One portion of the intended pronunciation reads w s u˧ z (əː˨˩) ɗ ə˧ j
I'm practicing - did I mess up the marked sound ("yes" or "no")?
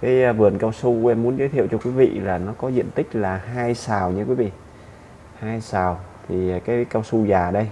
yes